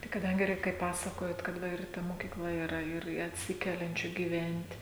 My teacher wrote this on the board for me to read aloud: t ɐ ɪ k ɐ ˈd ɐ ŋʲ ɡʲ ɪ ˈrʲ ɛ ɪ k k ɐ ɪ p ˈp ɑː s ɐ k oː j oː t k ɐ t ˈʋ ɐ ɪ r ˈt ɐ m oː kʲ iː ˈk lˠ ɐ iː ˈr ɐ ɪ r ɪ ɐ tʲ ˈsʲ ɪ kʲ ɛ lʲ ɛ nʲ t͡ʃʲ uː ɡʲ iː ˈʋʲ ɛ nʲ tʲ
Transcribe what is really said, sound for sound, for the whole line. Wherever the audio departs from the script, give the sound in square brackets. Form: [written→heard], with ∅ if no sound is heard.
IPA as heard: t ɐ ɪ k ɐ ˈd ɐ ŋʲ ɡʲ ɪ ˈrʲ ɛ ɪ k k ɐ ɪ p ˈp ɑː s ɐ k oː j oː t k ɐ t ˈʋ ɐ ɪ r ˈt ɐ m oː kʲ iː ˈk lˠ ɐ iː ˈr ɐ ɪ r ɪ ɐ tʲ ˈsʲ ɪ kʲ ɛ lʲ ɛ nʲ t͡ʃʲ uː ɡʲ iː ˈʋʲ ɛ nʲ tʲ